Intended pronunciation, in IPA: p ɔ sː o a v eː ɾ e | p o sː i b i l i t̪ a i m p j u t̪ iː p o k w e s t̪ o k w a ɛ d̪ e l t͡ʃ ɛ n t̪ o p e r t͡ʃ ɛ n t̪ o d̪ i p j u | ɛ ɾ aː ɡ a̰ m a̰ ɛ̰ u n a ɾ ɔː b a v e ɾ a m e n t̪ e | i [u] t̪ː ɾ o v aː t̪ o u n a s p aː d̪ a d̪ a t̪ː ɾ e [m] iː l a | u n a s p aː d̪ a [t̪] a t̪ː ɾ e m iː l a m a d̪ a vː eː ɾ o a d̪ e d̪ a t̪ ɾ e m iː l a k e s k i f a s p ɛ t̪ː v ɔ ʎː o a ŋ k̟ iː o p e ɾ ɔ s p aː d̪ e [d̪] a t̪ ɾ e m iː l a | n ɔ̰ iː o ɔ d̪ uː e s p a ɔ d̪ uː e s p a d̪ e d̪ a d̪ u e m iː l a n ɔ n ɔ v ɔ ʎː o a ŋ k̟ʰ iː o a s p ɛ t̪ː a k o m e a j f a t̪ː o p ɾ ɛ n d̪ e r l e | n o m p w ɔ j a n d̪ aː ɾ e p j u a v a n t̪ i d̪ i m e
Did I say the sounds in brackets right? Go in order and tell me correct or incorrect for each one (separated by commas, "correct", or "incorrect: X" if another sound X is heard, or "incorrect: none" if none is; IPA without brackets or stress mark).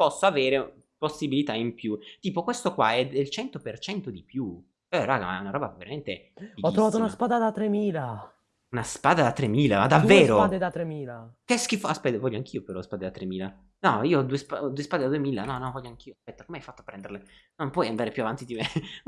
incorrect: ɔ, correct, incorrect: d̪, correct